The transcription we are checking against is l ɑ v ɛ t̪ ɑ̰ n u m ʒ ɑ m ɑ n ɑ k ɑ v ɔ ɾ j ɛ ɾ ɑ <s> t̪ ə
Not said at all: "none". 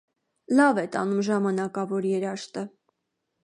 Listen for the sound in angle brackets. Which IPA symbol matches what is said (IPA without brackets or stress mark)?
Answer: ʃ